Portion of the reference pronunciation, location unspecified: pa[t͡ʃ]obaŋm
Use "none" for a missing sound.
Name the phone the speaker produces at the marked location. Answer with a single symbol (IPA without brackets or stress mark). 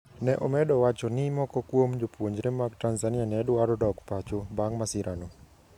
t͡ʃ